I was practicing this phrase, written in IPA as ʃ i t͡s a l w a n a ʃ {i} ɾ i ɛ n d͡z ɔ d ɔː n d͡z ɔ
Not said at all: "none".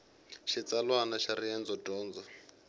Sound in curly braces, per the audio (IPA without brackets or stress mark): a